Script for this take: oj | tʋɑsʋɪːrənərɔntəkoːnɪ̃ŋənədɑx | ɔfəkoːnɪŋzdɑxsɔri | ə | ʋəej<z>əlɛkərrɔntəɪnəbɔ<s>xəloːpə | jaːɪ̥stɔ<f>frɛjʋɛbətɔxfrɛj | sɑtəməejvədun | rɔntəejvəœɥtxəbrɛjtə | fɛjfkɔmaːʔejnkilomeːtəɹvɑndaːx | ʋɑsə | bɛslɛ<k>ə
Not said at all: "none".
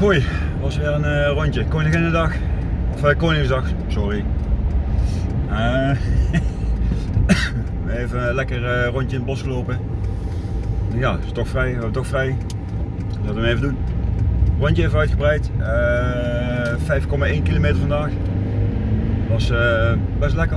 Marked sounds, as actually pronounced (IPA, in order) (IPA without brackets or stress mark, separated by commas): v, s, x, k